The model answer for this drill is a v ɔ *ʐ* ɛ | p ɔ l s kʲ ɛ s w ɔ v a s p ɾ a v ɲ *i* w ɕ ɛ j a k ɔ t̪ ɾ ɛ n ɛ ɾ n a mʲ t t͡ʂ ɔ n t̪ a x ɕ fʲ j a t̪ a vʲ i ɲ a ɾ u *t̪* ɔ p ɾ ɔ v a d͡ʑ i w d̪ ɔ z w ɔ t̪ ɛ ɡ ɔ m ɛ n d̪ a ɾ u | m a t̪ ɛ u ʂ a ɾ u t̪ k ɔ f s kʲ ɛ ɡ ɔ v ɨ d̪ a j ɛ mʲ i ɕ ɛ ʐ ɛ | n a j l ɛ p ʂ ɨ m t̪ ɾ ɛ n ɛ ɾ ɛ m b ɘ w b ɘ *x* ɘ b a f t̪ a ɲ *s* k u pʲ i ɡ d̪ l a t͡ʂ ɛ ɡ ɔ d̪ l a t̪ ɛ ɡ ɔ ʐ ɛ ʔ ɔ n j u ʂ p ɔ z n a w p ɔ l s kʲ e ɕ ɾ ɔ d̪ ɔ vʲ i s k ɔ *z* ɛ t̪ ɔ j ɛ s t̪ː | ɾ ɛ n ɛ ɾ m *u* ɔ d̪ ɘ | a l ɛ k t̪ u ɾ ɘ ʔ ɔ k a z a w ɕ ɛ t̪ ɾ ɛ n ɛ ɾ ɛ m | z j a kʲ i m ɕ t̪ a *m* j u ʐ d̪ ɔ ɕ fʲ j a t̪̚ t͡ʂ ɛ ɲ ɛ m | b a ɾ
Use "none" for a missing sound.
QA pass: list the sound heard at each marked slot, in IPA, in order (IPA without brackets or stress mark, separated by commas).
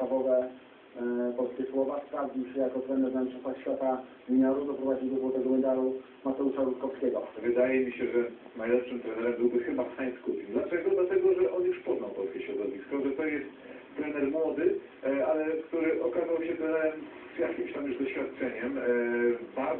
v, i, d̪, x, s, ʐ, w, m